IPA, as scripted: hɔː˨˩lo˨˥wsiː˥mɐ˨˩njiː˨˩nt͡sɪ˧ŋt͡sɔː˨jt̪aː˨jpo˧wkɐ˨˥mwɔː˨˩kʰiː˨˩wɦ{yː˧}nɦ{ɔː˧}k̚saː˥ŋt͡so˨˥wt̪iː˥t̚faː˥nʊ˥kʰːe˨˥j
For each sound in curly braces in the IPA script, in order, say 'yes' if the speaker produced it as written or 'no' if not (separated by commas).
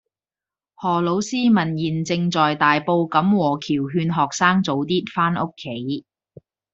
yes, no